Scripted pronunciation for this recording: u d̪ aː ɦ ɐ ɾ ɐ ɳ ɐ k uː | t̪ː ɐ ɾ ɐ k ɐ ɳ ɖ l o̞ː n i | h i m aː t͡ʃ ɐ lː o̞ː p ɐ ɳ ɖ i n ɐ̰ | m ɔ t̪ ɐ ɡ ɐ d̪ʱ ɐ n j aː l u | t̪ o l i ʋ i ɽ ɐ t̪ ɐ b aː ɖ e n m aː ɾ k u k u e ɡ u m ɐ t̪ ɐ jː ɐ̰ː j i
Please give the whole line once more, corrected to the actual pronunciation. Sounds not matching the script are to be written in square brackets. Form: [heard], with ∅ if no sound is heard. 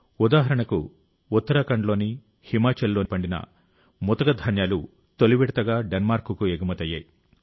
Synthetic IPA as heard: u d̪ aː ɦ ɐ ɾ ɐ ɳ ɐ k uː | t̪ː ɐ ɾ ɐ k ɐ ɳ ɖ l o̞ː n i | h i m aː t͡ʃ ɐ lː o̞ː p ɐ ɳ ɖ i n ɐ̰ | m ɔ t̪ ɐ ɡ ɐ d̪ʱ ɐ n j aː l u | t̪ o l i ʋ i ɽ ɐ t̪ ɐ [ɡ] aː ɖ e n m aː ɾ k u k u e ɡ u m ɐ t̪ ɐ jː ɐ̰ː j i